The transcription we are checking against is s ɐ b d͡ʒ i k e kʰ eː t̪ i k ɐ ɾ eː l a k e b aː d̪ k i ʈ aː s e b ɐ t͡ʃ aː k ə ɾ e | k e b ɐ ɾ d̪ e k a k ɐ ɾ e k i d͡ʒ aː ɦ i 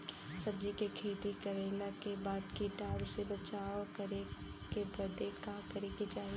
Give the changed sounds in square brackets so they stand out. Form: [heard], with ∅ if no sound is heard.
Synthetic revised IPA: s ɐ b d͡ʒ i k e kʰ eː t̪ i k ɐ ɾ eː l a k e b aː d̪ k i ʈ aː s e b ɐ t͡ʃ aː k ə ɾ e | k e b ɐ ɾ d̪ e k a k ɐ ɾ e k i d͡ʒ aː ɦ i